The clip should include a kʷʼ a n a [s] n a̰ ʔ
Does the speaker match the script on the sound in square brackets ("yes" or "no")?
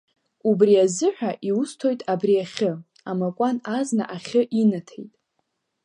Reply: no